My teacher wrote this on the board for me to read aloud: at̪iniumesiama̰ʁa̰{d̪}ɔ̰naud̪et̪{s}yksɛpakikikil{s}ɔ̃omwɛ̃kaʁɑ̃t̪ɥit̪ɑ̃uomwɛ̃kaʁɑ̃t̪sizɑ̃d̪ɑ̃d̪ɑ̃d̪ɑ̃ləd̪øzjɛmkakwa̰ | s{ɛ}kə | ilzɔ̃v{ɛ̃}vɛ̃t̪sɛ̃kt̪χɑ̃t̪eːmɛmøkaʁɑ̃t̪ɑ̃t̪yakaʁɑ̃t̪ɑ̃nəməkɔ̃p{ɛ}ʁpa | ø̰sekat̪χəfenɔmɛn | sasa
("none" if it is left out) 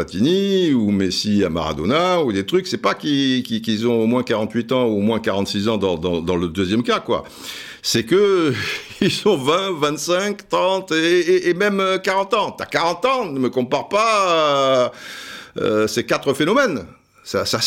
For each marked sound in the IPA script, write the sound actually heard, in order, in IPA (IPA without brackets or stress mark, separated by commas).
d̪, χ, z, ɛ, ɛ̃, a